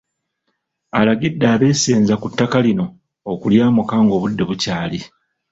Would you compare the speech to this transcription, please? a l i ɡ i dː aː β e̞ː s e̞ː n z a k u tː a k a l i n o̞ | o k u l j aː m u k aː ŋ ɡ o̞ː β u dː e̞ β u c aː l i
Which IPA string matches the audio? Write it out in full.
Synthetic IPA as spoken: a l a ɡ i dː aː β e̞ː s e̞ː n z a k u tː a k a l i n o̞ | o k u l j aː m u k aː ŋ ɡ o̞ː β u dː e̞ β u c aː l i

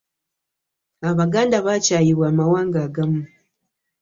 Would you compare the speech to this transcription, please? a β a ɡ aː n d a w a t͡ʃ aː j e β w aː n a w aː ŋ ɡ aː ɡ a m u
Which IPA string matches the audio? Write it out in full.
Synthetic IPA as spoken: a β a ɡ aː n d a β a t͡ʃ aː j i β w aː m a w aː ŋ ɡ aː ɡ a m u

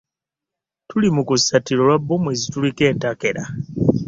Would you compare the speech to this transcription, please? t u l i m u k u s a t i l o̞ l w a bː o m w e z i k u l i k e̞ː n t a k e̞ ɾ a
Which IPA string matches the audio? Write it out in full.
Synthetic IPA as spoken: t u l i m u k u s a t i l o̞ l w a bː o m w e z i t u l i k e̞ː n t a k e̞ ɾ a

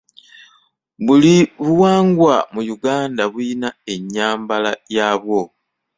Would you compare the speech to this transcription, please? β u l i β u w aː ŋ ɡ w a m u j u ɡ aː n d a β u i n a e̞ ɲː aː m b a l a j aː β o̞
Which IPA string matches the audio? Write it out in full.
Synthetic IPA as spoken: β u l i β u w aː ŋ ɡ w a m u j u ɡ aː n d a β u i n a e̞ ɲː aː m b a l a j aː β o̞

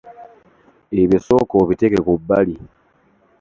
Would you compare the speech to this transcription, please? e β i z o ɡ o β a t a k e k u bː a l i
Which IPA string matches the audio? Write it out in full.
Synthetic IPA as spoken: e β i s o k o β i t e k e k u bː a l i

